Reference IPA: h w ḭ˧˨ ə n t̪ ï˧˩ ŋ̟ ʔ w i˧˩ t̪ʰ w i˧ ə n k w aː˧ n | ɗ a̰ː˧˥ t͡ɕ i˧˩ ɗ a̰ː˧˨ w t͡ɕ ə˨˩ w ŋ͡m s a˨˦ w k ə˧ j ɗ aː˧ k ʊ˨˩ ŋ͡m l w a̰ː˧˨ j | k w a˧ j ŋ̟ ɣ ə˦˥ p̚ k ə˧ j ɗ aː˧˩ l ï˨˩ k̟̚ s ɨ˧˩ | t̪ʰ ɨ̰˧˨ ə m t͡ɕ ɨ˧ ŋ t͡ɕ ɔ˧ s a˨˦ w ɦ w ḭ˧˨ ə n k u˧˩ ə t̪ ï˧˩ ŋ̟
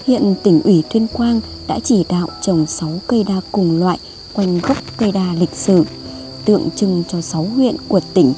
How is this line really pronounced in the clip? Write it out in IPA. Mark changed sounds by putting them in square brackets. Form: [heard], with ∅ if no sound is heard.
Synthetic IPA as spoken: h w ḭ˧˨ ə n t̪ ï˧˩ ŋ̟ ʔ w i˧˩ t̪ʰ w i˧ ə n k w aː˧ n | ɗ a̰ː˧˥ t͡ɕ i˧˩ ɗ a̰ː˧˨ w t͡ɕ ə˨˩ w ŋ͡m s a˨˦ w k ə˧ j ɗ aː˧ k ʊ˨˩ ŋ͡m l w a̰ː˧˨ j | k w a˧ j ŋ̟ ɣ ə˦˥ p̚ k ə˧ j ɗ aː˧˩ l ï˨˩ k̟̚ s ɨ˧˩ | [t̪] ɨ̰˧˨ ə [ŋ] t͡ɕ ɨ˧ ŋ t͡ɕ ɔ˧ s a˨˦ w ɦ w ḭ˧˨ ə n k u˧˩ ə t̪ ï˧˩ ŋ̟